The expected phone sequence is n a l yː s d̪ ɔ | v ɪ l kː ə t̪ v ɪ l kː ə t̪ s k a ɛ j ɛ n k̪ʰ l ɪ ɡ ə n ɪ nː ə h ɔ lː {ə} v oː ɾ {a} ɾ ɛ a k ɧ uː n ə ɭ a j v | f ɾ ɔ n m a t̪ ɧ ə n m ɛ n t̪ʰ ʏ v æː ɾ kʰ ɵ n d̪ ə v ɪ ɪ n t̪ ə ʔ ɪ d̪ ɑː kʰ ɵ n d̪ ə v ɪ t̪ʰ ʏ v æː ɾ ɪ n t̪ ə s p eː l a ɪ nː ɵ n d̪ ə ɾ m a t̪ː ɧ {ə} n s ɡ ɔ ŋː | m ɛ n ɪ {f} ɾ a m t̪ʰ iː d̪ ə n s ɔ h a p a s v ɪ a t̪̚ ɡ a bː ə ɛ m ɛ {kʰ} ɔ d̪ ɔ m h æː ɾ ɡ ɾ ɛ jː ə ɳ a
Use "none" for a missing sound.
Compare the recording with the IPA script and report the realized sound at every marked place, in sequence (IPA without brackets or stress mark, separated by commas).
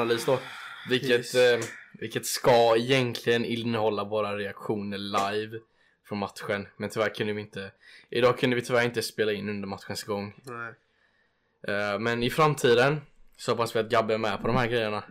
a, a, ə, f, pʰ